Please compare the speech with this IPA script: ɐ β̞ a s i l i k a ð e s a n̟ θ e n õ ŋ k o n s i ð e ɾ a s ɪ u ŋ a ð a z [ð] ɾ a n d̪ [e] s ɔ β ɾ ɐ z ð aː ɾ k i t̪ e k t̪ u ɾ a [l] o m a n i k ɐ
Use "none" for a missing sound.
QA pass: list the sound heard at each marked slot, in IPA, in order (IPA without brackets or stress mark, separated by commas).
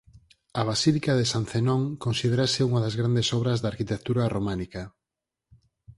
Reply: ɣ, e, r